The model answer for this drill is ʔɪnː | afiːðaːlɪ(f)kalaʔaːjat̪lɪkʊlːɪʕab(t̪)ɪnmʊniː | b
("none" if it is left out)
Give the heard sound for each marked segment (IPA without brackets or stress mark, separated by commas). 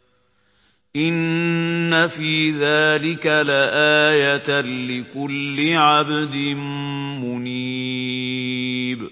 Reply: none, d̪